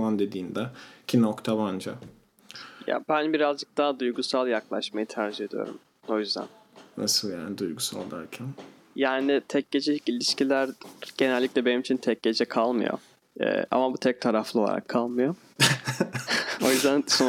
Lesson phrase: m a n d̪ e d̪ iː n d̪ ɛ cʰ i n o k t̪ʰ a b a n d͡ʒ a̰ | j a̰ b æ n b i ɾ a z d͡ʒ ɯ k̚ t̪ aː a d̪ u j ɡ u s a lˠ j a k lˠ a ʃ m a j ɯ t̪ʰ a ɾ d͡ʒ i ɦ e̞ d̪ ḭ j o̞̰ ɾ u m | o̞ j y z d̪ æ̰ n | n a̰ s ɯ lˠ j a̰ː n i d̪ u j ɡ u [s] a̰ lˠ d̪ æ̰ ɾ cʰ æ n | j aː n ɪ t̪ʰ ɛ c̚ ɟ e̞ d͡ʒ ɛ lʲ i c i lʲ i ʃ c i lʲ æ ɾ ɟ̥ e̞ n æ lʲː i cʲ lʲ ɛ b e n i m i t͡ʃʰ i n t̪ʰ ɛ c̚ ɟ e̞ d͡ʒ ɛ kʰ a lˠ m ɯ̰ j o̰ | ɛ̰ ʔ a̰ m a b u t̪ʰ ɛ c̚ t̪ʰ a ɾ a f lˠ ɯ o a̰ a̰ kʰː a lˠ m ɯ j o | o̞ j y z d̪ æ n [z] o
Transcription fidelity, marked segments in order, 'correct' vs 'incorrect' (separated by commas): correct, incorrect